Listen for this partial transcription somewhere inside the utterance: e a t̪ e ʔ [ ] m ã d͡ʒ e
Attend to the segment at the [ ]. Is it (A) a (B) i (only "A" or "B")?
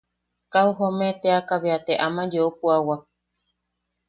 A